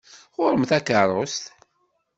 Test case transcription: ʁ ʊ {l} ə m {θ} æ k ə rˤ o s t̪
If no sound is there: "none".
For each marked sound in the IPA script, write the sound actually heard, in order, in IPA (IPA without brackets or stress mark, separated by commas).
ɾ, θ